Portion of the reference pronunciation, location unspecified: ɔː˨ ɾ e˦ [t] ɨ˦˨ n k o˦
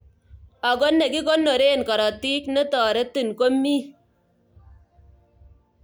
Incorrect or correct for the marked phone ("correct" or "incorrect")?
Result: correct